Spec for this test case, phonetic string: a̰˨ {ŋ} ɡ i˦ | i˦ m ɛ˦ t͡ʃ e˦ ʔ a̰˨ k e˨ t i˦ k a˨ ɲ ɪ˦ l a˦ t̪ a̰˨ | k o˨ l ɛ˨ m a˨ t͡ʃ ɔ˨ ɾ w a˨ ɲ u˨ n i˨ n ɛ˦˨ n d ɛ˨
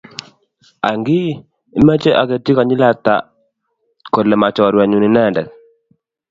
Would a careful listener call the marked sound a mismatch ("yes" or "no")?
no